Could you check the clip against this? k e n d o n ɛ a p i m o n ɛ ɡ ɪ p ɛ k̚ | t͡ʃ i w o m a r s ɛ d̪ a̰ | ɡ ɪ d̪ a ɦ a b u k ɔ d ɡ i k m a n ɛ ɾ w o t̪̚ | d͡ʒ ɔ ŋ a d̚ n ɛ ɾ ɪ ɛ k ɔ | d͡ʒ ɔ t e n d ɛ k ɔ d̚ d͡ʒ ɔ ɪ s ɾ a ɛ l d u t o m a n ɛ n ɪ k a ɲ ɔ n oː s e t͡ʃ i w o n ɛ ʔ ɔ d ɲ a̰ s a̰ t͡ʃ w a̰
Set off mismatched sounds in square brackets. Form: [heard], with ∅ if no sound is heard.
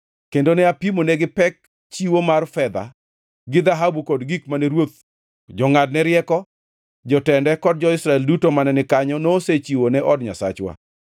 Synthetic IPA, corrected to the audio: k e n d o n ɛ a p i m o n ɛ ɡ ɪ p ɛ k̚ | t͡ʃ i w o m a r [f] ɛ d̪ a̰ | ɡ ɪ d̪ a ɦ a b u k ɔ d ɡ i k m a n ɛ ɾ w o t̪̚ | d͡ʒ ɔ ŋ a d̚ n ɛ ɾ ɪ ɛ k ɔ | d͡ʒ ɔ t [ɛ] n d ɛ k ɔ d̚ d͡ʒ ɔ ɪ s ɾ a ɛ l d u t o m a n ɛ n ɪ k a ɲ ɔ n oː s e t͡ʃ i w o n ɛ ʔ ɔ d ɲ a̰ s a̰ t͡ʃ w a̰